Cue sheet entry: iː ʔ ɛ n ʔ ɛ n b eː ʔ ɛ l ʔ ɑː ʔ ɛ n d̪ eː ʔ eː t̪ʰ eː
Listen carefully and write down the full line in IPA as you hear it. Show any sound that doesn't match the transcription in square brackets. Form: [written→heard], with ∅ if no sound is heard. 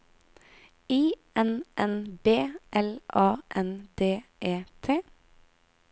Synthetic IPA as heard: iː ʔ ɛ n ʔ ɛ n b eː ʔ ɛ l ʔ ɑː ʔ ɛ n d̪ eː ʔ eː t̪ʰ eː